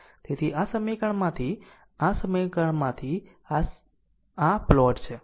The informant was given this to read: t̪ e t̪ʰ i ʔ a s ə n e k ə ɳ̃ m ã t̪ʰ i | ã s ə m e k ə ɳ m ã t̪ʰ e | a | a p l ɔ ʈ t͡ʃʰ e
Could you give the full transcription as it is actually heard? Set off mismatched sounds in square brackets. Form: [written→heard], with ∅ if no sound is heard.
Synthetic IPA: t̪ e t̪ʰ i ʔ a s ə [n→m] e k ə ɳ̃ m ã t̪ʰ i | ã s ə m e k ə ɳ m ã t̪ʰ [e→i] | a | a p l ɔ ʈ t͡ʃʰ e